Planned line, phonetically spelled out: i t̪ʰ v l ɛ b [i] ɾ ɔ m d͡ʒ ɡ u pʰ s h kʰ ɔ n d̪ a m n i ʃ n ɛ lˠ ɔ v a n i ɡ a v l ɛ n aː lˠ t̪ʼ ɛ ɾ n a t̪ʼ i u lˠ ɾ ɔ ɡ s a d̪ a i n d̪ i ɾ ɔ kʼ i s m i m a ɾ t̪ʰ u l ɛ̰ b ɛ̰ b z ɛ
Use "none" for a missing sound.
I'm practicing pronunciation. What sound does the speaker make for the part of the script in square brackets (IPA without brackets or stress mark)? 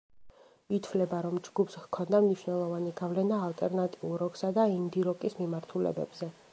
a